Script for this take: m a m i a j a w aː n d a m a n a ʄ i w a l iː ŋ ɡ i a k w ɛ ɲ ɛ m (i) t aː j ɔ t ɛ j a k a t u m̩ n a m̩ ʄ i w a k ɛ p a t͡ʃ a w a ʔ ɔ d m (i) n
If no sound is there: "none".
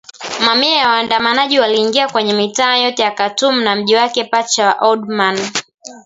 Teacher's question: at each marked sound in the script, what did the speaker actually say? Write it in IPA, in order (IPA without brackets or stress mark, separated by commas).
i, a